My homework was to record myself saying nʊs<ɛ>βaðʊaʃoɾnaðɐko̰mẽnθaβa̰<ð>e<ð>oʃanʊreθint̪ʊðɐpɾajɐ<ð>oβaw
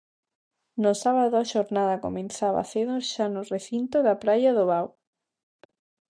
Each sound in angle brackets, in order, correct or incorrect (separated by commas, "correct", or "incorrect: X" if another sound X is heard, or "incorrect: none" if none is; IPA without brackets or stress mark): incorrect: a, incorrect: θ, correct, correct